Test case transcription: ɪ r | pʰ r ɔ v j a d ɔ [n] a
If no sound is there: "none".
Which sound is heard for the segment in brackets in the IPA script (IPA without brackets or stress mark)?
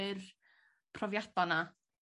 n